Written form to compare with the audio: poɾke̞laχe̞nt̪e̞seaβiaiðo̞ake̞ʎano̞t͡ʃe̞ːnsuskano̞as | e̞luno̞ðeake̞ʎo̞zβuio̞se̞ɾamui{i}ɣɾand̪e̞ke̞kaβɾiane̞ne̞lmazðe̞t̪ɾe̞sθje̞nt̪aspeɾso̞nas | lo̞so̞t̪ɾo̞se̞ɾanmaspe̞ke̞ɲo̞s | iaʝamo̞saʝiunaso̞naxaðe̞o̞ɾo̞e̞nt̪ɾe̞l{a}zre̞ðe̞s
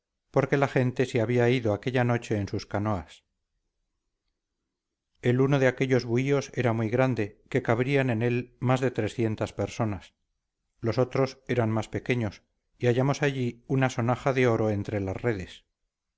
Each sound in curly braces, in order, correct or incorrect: incorrect: j, correct

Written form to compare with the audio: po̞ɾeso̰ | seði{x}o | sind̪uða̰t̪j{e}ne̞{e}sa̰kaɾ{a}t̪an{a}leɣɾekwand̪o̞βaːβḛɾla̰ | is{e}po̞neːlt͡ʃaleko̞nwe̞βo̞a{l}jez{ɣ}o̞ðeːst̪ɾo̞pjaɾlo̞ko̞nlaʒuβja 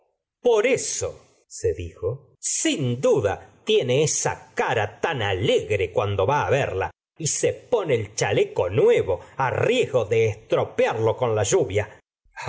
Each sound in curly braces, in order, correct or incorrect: correct, correct, correct, correct, correct, correct, incorrect: r, correct

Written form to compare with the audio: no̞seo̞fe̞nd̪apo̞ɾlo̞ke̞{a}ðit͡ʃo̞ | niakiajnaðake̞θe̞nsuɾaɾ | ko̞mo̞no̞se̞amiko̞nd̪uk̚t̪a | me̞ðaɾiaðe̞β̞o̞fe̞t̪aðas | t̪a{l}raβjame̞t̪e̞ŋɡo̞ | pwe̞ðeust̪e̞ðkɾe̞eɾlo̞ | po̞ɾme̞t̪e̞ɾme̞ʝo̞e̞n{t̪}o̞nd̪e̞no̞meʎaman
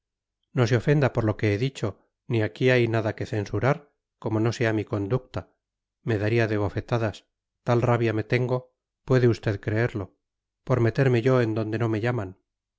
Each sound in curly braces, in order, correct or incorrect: incorrect: e, correct, incorrect: d̪

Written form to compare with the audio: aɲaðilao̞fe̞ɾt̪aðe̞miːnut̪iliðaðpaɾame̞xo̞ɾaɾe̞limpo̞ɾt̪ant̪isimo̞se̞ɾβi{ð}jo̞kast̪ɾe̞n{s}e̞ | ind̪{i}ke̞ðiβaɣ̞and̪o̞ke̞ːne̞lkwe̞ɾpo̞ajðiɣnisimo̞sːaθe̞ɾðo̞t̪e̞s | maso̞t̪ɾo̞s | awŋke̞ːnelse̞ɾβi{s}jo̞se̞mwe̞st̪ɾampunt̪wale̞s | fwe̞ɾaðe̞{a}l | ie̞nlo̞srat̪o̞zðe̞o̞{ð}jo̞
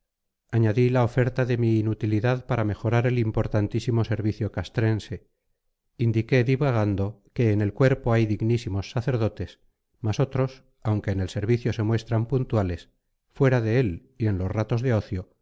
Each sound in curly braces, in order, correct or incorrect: incorrect: θ, correct, correct, incorrect: θ, incorrect: e, incorrect: θ

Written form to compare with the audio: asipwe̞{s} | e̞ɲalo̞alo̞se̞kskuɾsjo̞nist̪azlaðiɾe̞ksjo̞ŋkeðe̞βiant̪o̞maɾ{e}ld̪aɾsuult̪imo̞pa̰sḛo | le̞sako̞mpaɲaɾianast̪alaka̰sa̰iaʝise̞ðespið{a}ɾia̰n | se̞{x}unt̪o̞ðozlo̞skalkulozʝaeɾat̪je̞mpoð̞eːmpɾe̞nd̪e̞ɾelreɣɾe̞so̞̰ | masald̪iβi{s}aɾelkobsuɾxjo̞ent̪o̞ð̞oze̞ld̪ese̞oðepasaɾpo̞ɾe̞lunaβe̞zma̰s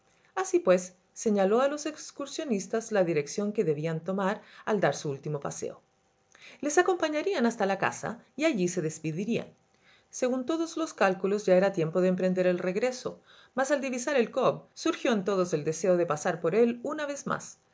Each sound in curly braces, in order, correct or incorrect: incorrect: sː, incorrect: a, incorrect: i, incorrect: ɣ, correct

